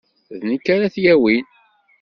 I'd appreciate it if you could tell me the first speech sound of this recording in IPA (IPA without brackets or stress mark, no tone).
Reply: ð